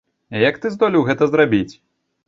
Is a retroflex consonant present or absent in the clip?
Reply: absent